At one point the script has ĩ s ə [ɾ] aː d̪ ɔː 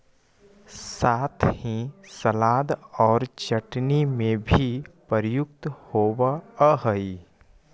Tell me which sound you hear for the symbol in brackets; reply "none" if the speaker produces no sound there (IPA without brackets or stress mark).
l